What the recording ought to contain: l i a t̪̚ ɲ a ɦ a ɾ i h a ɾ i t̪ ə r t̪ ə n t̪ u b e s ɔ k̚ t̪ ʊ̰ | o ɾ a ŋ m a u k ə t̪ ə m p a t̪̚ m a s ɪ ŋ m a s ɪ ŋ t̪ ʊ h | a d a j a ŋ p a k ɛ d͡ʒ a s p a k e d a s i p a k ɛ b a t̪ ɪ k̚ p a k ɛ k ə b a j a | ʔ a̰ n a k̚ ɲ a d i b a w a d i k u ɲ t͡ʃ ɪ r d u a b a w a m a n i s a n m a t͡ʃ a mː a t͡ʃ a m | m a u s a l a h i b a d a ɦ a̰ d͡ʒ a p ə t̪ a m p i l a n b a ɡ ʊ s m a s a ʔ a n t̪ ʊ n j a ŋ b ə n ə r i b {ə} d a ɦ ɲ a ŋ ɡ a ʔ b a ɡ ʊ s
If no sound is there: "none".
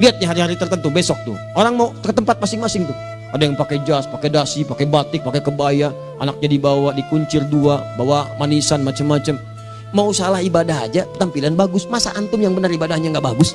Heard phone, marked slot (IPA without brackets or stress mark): a